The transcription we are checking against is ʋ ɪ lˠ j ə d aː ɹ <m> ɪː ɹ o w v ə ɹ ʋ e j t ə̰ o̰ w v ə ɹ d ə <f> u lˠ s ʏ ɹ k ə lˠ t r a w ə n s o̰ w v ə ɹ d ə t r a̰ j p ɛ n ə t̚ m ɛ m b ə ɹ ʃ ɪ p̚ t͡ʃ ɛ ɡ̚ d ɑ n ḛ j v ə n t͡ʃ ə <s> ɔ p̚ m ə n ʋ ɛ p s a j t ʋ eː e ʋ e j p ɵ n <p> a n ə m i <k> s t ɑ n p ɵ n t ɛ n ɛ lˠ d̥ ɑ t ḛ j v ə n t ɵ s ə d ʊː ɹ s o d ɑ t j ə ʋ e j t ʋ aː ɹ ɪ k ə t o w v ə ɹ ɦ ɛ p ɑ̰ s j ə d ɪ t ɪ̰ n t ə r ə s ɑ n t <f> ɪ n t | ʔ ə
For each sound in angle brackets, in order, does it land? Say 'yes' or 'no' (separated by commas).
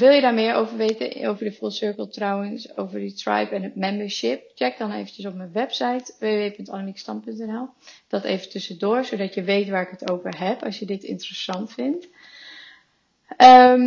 yes, yes, yes, no, yes, yes